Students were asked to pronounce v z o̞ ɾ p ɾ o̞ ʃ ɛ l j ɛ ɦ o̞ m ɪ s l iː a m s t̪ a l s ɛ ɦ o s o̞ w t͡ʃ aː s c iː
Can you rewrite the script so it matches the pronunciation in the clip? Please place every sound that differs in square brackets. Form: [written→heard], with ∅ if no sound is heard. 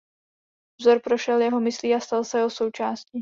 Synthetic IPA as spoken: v z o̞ ɾ p ɾ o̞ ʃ ɛ l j ɛ ɦ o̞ m ɪ s l iː a [m→∅] s t̪ a l s ɛ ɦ o s o̞ w t͡ʃ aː s c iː